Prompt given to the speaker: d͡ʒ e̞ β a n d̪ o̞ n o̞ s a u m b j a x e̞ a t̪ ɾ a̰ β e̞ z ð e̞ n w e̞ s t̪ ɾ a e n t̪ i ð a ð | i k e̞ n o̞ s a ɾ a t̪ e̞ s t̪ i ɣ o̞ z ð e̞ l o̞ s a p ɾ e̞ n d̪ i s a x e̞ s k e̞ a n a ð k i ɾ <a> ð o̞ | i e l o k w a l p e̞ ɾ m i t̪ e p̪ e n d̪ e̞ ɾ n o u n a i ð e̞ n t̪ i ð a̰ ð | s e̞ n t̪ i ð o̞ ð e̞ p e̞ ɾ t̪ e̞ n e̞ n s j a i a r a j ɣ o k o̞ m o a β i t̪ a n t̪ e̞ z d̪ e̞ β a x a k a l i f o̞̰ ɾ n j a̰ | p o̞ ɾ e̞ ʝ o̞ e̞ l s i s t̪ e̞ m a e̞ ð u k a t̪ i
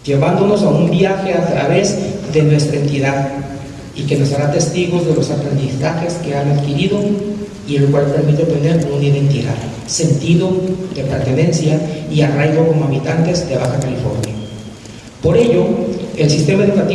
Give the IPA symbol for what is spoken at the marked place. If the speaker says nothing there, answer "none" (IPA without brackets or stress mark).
i